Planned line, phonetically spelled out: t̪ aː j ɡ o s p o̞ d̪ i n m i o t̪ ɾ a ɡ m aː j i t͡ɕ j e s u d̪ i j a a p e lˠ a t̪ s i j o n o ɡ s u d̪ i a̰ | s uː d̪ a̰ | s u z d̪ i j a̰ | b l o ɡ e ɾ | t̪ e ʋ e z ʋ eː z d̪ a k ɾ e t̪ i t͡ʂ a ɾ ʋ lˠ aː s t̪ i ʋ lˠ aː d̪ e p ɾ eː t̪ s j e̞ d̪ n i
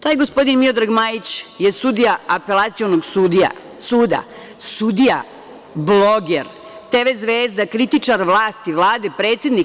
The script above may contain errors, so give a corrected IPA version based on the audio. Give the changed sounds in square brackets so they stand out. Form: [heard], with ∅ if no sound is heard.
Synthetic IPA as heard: t̪ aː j ɡ o s p o̞ d̪ i n m i o [d̪] ɾ a ɡ m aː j i t͡ɕ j e s u d̪ i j a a p e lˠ a t̪ s i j o n o ɡ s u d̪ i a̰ | s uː d̪ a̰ | s u [∅] d̪ i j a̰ | b l o ɡ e ɾ | t̪ e ʋ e z ʋ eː z d̪ a k ɾ [i] t̪ i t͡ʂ a ɾ ʋ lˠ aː s t̪ i ʋ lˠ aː d̪ e p ɾ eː t̪ s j e̞ d̪ n i